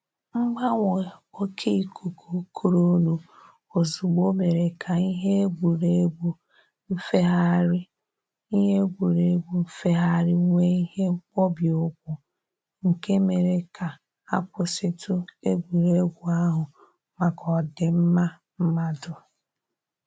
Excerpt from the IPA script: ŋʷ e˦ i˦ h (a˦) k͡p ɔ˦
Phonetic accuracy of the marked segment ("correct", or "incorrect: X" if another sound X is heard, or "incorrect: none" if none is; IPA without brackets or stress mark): incorrect: e˦